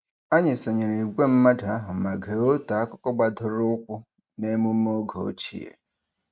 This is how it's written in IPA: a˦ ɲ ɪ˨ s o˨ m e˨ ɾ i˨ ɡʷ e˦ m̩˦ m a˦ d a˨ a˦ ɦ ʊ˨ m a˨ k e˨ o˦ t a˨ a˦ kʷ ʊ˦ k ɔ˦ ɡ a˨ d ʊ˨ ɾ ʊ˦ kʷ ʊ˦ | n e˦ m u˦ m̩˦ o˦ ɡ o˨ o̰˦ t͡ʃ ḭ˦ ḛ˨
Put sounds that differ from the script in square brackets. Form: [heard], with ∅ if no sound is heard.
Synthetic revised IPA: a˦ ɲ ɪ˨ s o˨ [ɲ] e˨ ɾ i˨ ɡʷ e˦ m̩˦ m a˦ d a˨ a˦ ɦ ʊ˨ m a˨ [ɡ] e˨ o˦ t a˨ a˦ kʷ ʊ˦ k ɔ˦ [ɡ͡b] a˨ d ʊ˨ ɾ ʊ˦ kʷ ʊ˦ | n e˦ m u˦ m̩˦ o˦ ɡ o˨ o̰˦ t͡ʃ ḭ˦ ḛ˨